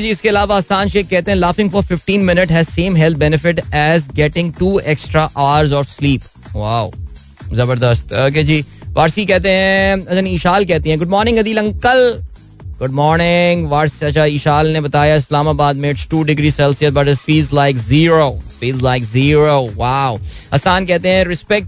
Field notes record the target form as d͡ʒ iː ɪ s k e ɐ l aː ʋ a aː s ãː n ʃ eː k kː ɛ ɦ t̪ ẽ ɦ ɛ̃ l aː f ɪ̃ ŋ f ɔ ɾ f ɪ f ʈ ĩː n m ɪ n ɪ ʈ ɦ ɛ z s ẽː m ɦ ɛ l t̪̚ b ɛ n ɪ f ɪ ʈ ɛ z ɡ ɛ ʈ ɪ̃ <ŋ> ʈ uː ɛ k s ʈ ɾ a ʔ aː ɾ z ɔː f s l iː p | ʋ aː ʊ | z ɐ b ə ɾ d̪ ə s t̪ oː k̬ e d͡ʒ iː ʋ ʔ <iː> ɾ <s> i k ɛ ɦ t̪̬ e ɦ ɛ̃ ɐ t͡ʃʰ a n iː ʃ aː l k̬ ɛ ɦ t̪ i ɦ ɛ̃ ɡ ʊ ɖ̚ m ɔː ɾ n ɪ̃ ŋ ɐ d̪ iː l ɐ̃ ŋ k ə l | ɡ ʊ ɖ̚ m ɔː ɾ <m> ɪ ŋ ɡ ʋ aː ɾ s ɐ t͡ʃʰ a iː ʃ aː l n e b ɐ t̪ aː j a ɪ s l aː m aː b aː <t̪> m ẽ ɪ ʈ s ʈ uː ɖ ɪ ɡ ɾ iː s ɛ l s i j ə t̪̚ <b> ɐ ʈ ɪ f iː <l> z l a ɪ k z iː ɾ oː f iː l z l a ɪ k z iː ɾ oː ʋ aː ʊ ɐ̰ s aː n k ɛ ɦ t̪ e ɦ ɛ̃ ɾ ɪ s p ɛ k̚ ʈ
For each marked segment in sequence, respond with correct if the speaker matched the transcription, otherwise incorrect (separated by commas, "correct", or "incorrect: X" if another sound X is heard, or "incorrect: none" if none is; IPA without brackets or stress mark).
correct, incorrect: aː, correct, incorrect: n, incorrect: d̪, correct, correct